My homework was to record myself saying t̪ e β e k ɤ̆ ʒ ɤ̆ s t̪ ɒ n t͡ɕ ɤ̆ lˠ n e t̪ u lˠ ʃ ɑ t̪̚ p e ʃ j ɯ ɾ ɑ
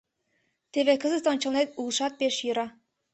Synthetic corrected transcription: t̪ e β e k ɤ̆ z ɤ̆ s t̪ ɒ n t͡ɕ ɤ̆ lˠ n e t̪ u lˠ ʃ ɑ t̪̚ p e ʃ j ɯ ɾ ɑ